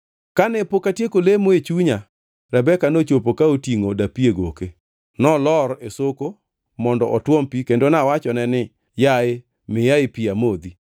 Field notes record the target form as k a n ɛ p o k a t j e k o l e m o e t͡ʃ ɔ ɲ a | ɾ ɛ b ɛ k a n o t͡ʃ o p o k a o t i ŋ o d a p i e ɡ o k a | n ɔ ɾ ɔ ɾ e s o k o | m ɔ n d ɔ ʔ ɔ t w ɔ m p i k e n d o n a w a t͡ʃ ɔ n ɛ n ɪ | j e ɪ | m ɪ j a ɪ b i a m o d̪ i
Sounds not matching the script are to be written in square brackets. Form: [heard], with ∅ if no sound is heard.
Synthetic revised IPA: k a n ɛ p o k a t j e k o l e m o e t͡ʃ [u] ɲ a | ɾ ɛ b ɛ k a n o t͡ʃ o p o k a o t i ŋ o d a p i e ɡ o k [e] | n ɔ [l] ɔ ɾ e s o k o | m ɔ n d ɔ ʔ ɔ t w ɔ m p i k e n d o n a w a t͡ʃ ɔ n ɛ n ɪ | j [a] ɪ | m ɪ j a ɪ [p] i a m o d̪ i